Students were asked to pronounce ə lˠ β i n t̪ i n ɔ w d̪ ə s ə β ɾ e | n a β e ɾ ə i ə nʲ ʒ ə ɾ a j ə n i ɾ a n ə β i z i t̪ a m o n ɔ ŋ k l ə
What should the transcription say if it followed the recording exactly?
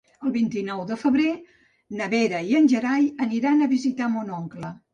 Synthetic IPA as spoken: ə lˠ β i n t̪ i n ɔ w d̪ ə f ə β ɾ e | n ə β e ɾ ə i ə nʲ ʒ ə ɾ a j ə n i ɾ a n ə β i z i t̪ a m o n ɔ ŋ k l ə